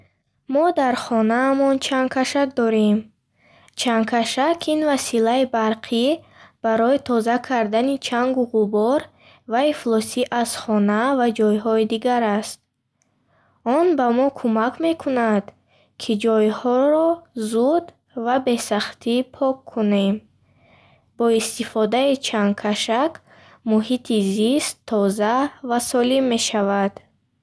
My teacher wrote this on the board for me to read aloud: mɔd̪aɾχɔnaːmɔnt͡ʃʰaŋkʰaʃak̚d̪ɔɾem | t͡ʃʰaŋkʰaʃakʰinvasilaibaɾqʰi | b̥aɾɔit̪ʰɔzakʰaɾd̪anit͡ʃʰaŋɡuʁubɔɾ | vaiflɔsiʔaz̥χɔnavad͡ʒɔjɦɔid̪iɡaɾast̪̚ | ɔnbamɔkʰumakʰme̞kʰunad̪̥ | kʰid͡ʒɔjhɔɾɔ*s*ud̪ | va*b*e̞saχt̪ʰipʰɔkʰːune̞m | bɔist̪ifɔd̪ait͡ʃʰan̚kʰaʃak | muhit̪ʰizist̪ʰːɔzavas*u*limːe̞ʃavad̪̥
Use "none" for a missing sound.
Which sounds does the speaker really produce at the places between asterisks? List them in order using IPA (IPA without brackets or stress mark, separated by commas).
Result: z, b, ɔ